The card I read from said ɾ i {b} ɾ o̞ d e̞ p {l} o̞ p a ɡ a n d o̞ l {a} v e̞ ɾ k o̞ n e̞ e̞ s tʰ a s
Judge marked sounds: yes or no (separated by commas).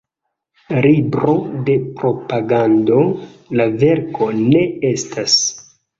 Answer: yes, no, yes